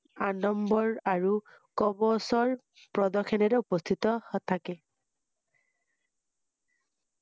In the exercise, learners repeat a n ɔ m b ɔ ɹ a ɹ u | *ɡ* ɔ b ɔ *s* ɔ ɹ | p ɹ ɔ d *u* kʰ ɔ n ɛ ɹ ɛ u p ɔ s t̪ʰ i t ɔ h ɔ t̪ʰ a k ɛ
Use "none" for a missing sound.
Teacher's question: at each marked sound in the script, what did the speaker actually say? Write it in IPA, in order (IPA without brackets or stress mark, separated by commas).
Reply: k, s, ɔ